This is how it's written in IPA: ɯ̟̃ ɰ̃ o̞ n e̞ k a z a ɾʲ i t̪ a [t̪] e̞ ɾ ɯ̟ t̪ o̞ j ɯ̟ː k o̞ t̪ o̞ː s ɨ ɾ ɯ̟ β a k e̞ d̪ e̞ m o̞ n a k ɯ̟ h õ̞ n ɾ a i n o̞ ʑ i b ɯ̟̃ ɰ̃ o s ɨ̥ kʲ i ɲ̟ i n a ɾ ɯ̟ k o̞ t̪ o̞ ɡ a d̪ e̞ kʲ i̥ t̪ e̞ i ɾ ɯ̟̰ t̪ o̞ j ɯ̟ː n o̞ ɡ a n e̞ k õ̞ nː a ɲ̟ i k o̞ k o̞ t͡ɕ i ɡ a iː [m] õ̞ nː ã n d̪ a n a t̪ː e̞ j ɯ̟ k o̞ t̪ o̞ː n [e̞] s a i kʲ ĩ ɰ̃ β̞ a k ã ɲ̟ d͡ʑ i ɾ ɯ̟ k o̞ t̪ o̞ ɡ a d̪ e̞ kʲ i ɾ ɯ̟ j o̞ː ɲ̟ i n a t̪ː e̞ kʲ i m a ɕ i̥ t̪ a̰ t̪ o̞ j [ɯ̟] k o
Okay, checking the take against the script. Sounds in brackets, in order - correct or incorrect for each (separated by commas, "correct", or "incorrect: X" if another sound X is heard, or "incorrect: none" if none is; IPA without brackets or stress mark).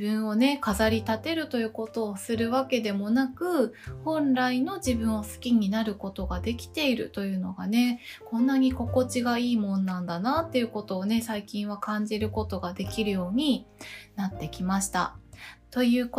correct, correct, correct, incorrect: ɯ̟ː